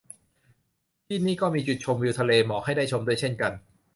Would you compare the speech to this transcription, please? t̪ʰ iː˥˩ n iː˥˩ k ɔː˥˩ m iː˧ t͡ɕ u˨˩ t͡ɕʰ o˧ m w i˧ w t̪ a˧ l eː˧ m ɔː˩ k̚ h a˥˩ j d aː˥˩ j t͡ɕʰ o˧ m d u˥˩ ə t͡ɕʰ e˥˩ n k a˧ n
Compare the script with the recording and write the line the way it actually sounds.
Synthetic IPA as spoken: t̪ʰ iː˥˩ n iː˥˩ k ɔː˥˩ m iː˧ t͡ɕ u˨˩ t͡ɕʰ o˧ m w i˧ w t̪ʰ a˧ l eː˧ m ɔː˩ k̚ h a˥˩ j d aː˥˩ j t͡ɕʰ o˧ m d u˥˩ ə t͡ɕʰ e˥˩ n k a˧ n